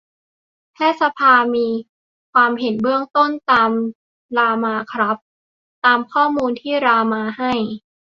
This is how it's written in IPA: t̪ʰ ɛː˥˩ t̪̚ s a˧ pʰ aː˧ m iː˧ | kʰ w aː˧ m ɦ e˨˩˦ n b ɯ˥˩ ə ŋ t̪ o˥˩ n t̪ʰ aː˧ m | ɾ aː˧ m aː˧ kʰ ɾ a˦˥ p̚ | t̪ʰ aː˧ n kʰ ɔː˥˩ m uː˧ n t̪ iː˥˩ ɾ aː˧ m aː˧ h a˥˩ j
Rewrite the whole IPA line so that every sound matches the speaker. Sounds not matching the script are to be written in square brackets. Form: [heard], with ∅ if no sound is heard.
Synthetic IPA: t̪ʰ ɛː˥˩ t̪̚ s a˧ pʰ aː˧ m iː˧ | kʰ w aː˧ m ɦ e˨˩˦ n b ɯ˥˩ ə ŋ t̪ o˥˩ n [t̪] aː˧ m | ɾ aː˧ m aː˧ kʰ ɾ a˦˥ p̚ | [t̪] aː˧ [m] kʰ ɔː˥˩ m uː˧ n [t̪ʰ] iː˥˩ ɾ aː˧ m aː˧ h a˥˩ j